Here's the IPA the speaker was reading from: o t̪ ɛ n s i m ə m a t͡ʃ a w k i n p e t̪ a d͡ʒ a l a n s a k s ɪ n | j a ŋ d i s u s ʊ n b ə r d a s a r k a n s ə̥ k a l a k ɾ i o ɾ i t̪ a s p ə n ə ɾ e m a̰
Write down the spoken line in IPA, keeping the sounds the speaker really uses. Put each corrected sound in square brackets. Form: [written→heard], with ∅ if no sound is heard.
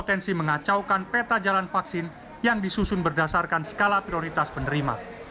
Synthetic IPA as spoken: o t̪ ɛ n s i m ə [m→ŋ] a t͡ʃ a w k [i→a] n p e t̪ a d͡ʒ a l a n [s→f] a k s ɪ n | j a ŋ d i s u s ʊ n b ə r d a s a r k a n s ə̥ k a l a [k→p] ɾ i o ɾ i t̪ a s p ə n ə ɾ [e→i] m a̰